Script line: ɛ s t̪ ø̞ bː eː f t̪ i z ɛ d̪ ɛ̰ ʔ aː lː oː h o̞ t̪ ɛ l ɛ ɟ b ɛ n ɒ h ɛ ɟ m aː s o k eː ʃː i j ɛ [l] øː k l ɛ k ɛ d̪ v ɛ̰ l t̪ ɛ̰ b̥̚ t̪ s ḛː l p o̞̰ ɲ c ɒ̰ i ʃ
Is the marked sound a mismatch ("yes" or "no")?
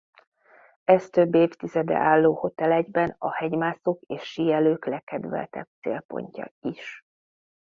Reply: no